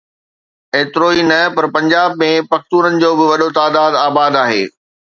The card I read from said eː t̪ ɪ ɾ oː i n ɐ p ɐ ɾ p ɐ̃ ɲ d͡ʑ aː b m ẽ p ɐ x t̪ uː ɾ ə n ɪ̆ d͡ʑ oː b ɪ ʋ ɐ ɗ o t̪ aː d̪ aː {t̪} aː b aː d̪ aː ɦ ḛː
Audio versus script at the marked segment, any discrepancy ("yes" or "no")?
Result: yes